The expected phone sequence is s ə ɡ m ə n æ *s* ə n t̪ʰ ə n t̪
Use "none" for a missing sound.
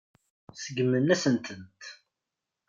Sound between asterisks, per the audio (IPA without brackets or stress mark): s